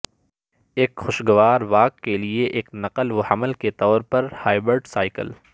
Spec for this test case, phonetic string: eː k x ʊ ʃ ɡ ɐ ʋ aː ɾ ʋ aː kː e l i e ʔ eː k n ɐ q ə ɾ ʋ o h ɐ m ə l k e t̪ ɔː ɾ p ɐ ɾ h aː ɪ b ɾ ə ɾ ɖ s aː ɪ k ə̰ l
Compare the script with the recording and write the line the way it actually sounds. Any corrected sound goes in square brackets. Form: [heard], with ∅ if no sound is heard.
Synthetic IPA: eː k x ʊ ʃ ɡ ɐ ʋ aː ɾ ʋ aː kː e l i e ʔ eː k n ɐ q ə [l] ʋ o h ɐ m ə l k e t̪ ɔː ɾ p ɐ ɾ h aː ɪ b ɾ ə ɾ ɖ s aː ɪ k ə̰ l